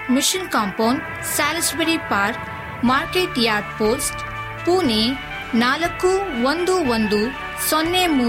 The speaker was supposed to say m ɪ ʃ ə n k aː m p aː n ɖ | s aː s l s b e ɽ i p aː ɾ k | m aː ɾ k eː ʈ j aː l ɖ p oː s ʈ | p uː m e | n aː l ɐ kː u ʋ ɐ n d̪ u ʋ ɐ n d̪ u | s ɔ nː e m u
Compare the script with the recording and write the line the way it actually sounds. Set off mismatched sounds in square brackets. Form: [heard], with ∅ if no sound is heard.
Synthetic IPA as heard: m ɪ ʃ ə n k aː m p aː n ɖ | s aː [∅] l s b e [ɾ] i p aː ɾ k | m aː ɾ k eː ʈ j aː [ɾ] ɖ p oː s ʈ | p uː [n] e | n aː l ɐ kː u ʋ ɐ n d̪ u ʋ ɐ n d̪ u | s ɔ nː e m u